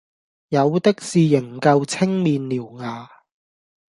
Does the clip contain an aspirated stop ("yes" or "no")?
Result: yes